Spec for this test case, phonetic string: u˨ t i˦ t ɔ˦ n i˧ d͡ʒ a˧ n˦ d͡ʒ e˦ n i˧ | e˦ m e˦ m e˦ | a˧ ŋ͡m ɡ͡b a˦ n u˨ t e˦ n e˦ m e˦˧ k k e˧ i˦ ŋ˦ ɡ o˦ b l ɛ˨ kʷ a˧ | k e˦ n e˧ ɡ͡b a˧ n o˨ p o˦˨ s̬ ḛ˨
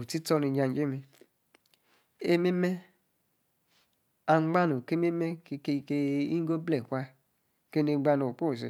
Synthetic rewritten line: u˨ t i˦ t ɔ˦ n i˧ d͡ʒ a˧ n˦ d͡ʒ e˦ m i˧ | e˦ m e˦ m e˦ | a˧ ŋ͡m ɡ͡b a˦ n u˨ k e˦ m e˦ m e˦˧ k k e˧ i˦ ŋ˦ ɡ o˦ b l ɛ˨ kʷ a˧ | k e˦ n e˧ ɡ͡b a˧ n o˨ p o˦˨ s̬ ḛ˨